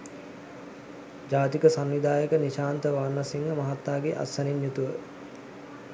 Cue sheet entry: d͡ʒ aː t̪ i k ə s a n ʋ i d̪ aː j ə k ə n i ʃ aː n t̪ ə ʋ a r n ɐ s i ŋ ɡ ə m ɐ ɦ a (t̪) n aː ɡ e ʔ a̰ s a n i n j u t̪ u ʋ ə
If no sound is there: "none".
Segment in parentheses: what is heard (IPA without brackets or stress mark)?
t̪